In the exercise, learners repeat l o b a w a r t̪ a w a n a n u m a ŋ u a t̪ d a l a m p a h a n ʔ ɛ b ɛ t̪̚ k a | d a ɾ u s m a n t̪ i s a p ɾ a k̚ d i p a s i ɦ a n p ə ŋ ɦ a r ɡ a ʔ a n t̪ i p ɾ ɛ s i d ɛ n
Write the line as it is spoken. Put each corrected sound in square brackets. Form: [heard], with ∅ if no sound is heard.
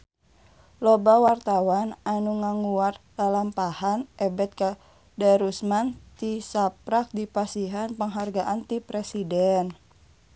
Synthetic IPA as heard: l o b a w a r t̪ a w a n a n u [ŋ] a ŋ u a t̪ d a l a m p a h a n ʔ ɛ b ɛ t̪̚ k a | d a ɾ u s m a n t̪ i s a p ɾ a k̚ d i p a s i ɦ a n p ə ŋ ɦ a r ɡ a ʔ a n t̪ i p ɾ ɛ s i d ɛ n

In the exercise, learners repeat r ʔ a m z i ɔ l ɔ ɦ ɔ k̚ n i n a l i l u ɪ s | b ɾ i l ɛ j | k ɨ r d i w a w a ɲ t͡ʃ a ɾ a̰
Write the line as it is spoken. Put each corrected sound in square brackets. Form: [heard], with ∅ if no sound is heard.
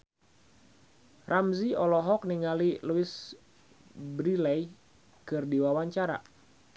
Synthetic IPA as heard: r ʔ a m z i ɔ l ɔ ɦ ɔ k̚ n i [ŋ] a l i l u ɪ s | b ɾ i l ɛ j | k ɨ r d i w a w a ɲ t͡ʃ a ɾ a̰

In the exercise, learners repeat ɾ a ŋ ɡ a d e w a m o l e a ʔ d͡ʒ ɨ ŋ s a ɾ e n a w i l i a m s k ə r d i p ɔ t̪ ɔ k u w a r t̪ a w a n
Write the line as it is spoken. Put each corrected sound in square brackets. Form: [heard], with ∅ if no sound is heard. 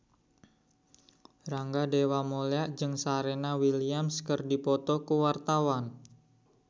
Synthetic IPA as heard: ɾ a ŋ ɡ a d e w a m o l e a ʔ d͡ʒ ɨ ŋ s a ɾ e n a w i l i a m s k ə r d i p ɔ t̪ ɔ k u w a r t̪ a w a n

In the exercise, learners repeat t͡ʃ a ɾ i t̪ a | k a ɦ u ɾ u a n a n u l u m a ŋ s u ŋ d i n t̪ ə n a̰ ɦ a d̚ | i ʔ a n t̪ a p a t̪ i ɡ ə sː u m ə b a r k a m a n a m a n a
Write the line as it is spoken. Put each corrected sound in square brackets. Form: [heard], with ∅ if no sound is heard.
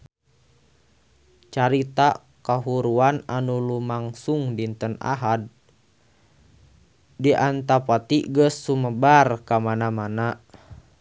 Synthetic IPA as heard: t͡ʃ a ɾ i t̪ a | k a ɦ u ɾ u a n a n u l u m a ŋ s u ŋ d i n t̪ ə n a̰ ɦ a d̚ | i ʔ a n t̪ a p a t̪ i ɡ ə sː u m ə b a r k a m a n a m a n a

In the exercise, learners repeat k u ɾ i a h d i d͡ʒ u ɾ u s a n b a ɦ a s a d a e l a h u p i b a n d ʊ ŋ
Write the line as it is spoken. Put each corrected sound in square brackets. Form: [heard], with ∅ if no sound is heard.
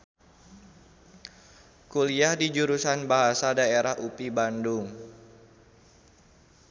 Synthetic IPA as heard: k u [l] i a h d i d͡ʒ u ɾ u s a n b a ɦ a s a d a e [ɾ] a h u p i b a n d ʊ ŋ

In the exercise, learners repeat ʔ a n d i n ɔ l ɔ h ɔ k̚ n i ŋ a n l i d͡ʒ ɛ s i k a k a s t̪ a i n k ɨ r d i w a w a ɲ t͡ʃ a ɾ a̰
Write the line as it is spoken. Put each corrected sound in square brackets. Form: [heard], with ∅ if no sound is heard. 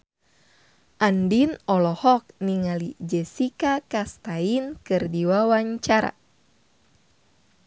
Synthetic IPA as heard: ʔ a n d i n ɔ l ɔ h ɔ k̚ n i ŋ a [∅] l i d͡ʒ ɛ s i k a k a s t̪ a i n k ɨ r d i w a w a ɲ t͡ʃ a ɾ a̰

